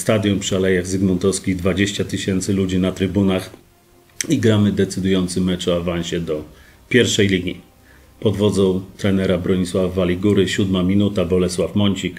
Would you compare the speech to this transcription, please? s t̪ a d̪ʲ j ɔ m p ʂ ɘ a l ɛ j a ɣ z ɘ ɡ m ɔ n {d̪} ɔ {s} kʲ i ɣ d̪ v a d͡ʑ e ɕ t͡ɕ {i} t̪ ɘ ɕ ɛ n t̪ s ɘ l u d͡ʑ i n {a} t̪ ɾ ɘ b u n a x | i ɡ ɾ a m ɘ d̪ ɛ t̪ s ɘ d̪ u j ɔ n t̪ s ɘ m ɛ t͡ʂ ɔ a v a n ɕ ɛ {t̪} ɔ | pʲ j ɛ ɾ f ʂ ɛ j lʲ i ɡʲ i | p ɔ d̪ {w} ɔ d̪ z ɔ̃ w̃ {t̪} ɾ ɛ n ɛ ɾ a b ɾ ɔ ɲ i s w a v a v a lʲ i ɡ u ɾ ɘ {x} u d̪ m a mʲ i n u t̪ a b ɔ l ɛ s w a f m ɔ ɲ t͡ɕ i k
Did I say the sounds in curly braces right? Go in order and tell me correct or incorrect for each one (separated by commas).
incorrect, correct, incorrect, correct, incorrect, incorrect, correct, incorrect